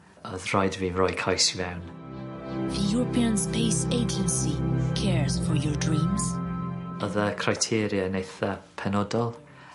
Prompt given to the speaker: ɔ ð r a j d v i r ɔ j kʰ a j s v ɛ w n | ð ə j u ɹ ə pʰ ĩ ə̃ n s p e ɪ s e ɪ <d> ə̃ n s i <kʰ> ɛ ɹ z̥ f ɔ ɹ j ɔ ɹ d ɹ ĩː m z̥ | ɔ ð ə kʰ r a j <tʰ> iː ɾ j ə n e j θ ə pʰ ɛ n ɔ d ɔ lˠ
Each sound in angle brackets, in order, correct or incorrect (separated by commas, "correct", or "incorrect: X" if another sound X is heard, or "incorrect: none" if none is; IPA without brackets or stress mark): incorrect: d͡ʒ, correct, correct